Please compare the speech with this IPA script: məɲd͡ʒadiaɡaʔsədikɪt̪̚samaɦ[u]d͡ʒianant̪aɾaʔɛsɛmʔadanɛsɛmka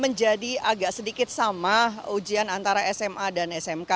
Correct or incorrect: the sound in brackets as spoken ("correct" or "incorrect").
correct